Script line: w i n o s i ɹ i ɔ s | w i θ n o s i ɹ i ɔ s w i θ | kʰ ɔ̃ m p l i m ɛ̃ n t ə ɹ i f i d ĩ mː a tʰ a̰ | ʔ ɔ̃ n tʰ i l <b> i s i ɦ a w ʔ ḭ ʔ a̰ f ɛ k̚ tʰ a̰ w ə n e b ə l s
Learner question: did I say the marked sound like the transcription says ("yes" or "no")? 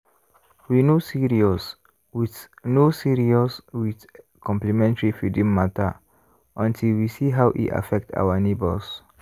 no